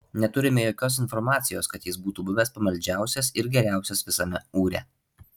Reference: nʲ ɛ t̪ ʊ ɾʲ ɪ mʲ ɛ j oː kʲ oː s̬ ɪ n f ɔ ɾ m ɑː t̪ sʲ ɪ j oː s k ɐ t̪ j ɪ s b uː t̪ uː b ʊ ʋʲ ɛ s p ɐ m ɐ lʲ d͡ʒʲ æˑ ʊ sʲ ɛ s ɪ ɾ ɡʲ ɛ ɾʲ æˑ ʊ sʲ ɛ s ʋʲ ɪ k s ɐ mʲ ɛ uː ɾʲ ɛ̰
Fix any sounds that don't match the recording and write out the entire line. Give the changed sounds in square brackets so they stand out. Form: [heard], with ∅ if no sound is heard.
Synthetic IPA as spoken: nʲ ɛ t̪ ʊ ɾʲ ɪ mʲ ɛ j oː kʲ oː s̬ ɪ n f ɔ ɾ m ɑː t̪ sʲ ɪ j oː s k ɐ t̪ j ɪ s b uː t̪ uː b ʊ ʋʲ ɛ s p ɐ m ɐ lʲ d͡ʒʲ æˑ ʊ sʲ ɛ s ɪ ɾ ɡʲ ɛ ɾʲ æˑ ʊ sʲ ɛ s ʋʲ ɪ [∅] s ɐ mʲ ɛ uː ɾʲ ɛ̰